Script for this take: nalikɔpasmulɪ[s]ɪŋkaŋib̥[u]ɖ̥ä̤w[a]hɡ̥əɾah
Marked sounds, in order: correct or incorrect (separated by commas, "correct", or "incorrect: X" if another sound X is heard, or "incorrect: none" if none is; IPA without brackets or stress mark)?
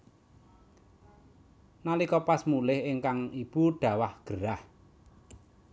incorrect: h, correct, correct